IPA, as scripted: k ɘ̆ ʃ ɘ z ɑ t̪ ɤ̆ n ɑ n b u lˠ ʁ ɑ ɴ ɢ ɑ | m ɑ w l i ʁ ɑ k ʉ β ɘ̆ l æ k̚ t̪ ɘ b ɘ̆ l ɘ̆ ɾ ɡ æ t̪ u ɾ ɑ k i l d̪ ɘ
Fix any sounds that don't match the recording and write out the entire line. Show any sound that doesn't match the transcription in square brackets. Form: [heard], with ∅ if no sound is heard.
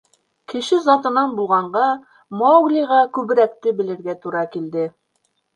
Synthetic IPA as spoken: k ɘ̆ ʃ ɘ z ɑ t̪ ɤ̆ n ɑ n b u lˠ ʁ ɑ ɴ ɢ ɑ | m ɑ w l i ʁ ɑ k ʉ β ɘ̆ [ɾ] æ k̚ t̪ ɘ b ɘ̆ l ɘ̆ ɾ ɡ æ t̪ u ɾ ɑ k i l d̪ ɘ